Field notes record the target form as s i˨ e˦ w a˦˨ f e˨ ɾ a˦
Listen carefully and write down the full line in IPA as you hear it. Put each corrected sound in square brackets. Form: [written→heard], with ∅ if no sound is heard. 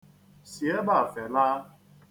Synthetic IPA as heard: s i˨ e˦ [w→b] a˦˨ f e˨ [ɾ→l] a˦